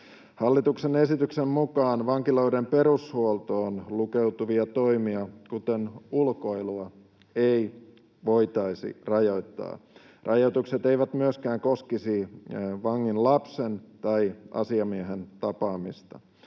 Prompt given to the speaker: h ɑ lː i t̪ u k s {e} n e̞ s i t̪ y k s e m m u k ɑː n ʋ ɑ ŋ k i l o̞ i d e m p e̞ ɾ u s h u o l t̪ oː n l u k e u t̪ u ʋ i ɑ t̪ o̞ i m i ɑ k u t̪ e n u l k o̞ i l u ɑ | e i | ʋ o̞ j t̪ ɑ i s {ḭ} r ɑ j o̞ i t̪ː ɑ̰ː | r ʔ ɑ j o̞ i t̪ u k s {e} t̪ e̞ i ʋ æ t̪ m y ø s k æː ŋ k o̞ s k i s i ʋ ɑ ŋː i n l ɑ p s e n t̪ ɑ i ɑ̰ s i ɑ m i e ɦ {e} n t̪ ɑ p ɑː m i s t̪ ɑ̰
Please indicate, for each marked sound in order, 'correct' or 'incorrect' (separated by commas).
correct, correct, correct, correct